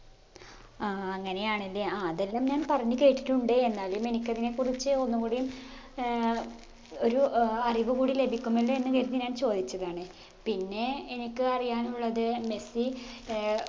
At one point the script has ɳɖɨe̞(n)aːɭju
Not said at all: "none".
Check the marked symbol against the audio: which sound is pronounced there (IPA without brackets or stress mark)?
nː